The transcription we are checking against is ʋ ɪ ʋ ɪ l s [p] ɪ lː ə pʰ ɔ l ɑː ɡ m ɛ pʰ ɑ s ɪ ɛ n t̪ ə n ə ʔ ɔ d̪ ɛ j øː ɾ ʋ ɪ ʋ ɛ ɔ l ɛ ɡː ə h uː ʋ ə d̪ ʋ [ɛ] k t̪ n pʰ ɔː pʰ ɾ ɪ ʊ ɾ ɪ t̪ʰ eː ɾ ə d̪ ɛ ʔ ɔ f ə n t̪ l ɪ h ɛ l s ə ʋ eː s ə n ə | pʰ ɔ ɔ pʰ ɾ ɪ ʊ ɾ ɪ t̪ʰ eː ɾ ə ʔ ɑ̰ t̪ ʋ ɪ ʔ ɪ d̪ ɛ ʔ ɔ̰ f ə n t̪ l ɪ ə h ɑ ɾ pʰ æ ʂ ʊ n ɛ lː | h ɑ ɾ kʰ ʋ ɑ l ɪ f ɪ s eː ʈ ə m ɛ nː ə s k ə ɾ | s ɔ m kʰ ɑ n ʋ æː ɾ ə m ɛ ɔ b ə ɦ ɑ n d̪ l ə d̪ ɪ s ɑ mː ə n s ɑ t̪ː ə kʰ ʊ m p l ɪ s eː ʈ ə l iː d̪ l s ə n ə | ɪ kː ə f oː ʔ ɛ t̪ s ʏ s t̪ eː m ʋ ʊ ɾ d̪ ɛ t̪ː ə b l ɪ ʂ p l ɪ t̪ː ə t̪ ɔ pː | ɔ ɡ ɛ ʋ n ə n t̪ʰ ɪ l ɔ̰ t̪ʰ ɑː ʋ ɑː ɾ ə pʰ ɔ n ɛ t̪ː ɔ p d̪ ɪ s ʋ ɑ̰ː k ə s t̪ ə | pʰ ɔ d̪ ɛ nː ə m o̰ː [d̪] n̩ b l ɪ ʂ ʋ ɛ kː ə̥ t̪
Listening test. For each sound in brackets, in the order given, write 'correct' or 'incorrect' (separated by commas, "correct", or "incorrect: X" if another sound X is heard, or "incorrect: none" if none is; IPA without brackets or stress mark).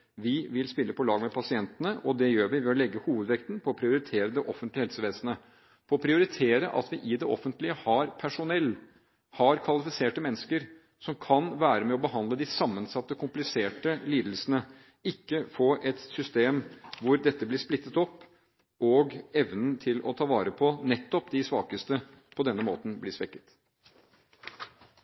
correct, correct, incorrect: t̪